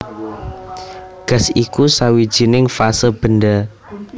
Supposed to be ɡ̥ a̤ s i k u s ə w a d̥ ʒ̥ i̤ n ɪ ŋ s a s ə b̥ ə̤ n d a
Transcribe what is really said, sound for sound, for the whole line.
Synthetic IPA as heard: ɡ̥ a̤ s i k u s a w i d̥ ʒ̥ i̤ n ɪ ŋ f a s ə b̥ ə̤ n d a